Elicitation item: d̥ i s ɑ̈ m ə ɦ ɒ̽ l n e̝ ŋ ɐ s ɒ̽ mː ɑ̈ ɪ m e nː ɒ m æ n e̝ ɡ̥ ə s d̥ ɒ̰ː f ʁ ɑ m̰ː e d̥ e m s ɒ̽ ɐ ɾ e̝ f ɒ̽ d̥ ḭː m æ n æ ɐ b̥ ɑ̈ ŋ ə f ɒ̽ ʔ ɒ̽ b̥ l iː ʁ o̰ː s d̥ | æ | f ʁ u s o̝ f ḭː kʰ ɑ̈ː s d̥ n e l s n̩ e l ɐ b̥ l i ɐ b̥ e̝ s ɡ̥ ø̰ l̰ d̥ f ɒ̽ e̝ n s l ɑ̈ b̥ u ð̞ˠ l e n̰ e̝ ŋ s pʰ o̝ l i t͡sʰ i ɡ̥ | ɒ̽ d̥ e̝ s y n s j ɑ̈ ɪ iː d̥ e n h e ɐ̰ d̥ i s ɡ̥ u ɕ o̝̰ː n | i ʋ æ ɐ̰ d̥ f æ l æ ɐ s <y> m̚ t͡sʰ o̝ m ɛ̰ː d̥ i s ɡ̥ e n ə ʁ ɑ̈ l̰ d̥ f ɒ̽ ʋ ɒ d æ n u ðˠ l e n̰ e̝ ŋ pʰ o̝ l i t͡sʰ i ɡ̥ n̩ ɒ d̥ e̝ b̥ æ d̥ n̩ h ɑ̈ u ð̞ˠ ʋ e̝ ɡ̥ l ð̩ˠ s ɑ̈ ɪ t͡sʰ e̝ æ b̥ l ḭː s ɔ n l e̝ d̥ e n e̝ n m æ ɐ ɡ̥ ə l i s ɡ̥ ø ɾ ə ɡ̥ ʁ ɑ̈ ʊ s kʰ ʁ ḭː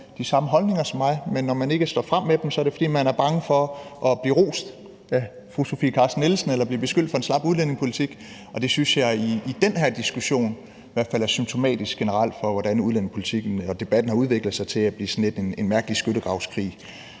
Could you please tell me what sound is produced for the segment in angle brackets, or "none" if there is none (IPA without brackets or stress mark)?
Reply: y